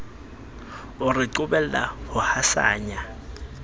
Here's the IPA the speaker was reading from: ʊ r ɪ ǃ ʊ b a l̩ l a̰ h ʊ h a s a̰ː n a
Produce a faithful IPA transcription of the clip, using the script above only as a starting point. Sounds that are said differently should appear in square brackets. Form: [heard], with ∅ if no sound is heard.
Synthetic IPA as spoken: ʊ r ɪ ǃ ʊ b [ɛ] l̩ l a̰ h ʊ h a s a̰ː [ɲ] a